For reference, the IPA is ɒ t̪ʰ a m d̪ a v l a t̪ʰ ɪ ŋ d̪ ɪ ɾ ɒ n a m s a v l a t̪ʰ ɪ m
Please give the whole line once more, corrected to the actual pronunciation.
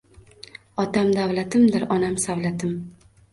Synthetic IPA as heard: ɒ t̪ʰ a m d̪ a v l a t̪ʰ ɪ m d̪ ɪ ɾ ɒ n a m s a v l a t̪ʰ ɪ m